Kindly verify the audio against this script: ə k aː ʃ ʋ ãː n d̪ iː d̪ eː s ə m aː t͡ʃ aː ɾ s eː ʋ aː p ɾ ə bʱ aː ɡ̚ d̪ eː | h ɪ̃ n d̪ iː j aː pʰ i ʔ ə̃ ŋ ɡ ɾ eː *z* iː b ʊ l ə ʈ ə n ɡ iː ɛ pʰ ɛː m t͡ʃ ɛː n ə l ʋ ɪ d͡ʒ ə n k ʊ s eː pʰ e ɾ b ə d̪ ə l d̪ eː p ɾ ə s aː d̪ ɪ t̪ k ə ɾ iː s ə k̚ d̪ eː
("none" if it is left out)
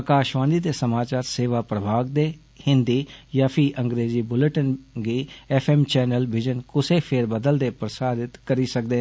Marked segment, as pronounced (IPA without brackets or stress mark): z